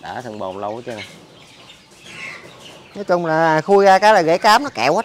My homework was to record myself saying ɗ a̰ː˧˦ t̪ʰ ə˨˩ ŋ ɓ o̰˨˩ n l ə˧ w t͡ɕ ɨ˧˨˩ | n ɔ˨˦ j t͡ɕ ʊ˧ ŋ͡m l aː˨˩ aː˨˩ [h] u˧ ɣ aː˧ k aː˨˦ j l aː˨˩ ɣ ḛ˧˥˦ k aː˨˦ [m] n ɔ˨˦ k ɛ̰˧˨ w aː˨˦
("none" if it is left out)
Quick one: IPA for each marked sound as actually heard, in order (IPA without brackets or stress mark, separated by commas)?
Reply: x, m